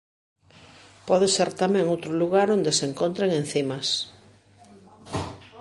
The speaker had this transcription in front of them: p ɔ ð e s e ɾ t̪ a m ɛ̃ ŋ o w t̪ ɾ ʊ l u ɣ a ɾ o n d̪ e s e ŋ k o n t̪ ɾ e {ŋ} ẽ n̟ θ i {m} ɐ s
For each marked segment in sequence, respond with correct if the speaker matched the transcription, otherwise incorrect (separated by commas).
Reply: correct, correct